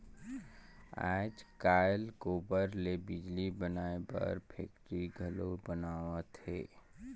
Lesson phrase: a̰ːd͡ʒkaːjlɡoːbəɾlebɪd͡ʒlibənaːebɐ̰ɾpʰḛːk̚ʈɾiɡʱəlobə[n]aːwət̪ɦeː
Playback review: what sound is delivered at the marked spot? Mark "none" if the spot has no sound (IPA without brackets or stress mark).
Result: n